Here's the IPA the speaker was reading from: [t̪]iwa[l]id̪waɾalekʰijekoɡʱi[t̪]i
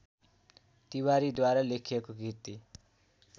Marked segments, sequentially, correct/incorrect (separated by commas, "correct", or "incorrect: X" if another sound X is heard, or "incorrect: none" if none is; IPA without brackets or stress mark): correct, incorrect: ɾ, correct